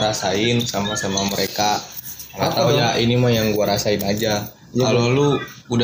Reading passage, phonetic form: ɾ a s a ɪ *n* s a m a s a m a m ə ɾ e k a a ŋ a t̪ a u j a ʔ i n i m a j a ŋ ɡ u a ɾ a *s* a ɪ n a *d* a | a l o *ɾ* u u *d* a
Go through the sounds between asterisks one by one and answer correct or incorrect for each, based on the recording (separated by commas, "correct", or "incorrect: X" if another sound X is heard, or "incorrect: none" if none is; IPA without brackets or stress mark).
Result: correct, correct, incorrect: d͡ʒ, incorrect: l, correct